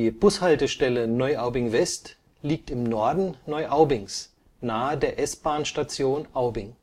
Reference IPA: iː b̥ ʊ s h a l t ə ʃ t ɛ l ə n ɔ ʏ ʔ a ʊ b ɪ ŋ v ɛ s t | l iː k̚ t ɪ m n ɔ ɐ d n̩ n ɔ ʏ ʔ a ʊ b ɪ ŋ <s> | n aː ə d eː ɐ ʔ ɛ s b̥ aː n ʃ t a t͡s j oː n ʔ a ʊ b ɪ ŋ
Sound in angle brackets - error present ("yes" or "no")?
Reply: no